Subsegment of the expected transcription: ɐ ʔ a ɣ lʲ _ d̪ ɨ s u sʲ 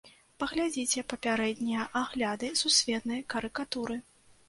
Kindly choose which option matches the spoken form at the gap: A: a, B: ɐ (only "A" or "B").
A